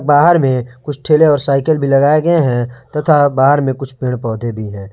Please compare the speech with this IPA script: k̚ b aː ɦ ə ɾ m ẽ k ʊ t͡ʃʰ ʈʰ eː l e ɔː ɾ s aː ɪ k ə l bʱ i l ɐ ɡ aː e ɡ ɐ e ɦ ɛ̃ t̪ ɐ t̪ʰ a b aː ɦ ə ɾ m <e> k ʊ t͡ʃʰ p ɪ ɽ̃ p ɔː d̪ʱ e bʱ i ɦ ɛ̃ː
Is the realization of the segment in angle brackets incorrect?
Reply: yes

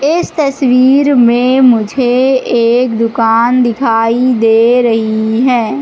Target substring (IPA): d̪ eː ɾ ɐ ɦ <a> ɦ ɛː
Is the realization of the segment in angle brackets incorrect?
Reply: yes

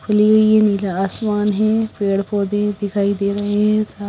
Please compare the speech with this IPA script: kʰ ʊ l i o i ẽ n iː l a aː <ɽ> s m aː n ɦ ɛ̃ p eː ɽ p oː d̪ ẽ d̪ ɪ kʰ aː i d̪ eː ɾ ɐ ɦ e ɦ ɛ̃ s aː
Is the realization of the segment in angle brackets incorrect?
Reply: yes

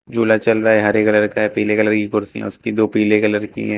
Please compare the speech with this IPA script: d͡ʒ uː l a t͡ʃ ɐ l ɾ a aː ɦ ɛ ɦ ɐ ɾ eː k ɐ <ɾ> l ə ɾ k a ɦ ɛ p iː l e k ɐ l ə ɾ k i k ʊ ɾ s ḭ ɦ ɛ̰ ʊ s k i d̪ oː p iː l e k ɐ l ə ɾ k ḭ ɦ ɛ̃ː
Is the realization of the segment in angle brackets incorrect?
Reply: yes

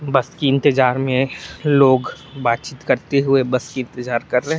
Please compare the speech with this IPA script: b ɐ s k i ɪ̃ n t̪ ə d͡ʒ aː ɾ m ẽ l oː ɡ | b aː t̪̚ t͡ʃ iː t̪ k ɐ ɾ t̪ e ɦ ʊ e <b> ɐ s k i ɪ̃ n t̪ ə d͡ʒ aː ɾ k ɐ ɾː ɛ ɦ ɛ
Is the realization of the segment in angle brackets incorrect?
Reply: no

